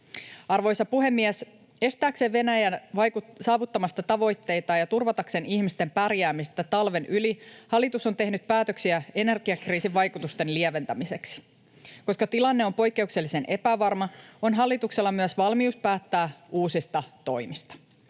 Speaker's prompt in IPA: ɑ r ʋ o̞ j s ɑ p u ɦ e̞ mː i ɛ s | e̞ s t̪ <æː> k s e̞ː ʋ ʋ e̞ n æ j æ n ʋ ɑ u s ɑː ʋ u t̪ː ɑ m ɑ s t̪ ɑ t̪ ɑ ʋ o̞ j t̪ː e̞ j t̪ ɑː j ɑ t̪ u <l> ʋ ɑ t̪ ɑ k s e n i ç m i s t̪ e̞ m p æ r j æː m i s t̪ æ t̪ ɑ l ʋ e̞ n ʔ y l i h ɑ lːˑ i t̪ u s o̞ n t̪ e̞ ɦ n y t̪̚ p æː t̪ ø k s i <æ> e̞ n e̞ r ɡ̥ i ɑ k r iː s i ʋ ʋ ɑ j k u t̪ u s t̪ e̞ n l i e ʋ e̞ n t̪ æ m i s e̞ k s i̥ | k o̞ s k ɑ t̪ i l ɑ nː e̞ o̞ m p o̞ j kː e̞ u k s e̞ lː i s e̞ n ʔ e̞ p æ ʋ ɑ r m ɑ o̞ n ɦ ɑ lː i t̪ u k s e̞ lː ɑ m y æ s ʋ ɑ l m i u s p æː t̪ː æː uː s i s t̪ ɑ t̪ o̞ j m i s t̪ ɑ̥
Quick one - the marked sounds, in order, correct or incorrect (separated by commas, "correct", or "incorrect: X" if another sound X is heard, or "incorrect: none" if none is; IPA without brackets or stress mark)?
correct, incorrect: r, correct